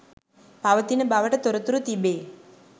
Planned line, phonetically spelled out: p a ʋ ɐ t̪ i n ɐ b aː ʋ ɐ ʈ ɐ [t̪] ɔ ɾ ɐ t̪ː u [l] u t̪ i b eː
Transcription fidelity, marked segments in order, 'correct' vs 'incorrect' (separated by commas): correct, incorrect